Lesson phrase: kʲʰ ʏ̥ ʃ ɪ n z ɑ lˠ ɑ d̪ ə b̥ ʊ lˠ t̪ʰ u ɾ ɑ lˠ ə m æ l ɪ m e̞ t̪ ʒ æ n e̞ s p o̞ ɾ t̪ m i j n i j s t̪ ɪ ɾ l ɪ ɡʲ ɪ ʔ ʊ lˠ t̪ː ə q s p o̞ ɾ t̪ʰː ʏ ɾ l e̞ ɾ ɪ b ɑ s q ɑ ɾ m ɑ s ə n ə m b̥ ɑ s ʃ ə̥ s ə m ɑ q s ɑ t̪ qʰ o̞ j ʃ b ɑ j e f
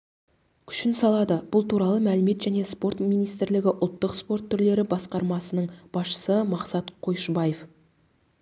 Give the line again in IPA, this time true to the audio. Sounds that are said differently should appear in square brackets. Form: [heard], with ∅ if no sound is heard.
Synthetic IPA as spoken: kʲʰ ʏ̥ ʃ ɪ n [s] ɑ lˠ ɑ d̪ ə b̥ ʊ lˠ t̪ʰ u ɾ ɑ lˠ ə m æ l ɪ m e̞ t̪ ʒ æ n e̞ s p o̞ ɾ t̪ m i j n i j s t̪ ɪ ɾ l ɪ ɡʲ ɪ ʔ ʊ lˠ t̪ː ə q s p o̞ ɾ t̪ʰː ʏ ɾ l e̞ ɾ ɪ b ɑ s q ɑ ɾ m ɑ s ə n ə [ɴ] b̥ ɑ s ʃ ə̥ s ə m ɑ q s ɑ t̪ qʰ o̞ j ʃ b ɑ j e f